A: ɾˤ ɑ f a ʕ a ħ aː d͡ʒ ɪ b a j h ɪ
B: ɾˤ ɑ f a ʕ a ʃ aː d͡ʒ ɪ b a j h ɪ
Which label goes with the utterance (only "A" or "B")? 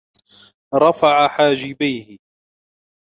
A